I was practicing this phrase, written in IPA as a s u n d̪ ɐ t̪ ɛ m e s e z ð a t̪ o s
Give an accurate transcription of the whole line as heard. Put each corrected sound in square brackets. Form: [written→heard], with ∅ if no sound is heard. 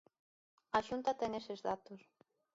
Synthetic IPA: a [s→ʃ] u n [d̪→t̪] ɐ t̪ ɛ [m→ŋ] e s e z ð a t̪ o s